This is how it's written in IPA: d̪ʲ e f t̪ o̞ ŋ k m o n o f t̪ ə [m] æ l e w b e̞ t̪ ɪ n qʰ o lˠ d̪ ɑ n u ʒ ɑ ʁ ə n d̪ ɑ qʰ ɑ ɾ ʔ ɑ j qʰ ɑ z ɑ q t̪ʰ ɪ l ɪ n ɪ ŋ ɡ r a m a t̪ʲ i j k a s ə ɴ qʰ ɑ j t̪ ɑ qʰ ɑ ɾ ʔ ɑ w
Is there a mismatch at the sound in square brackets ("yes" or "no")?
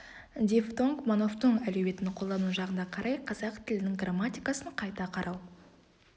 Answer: yes